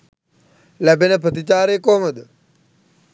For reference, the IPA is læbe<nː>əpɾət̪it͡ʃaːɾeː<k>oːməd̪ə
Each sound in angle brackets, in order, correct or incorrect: incorrect: n, correct

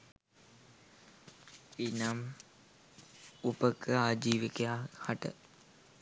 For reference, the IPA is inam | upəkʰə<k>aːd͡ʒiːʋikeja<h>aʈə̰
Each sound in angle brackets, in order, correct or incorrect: incorrect: none, correct

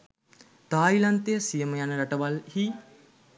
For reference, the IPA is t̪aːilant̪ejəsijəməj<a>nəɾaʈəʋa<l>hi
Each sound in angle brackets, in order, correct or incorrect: correct, correct

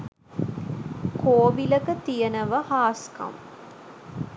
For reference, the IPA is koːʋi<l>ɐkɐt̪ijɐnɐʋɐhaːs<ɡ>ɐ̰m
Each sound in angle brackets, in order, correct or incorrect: correct, incorrect: k

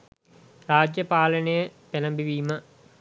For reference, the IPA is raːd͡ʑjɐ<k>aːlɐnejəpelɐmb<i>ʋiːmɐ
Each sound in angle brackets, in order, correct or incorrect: incorrect: p, correct

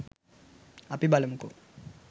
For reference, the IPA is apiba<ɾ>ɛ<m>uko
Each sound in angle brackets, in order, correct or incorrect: incorrect: l, correct

